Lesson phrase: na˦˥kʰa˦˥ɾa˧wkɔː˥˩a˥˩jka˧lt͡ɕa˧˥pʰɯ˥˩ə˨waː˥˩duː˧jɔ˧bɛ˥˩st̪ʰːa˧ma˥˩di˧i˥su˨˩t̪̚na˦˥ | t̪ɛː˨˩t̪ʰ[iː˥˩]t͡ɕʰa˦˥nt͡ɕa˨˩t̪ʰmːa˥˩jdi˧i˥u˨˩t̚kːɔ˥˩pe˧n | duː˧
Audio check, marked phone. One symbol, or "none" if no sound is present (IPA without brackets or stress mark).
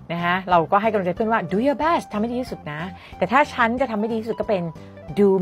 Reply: aː˥˩